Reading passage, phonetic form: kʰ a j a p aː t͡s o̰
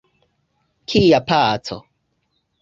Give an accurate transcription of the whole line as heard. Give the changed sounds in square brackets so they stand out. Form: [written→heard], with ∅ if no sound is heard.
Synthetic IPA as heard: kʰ [a→i] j a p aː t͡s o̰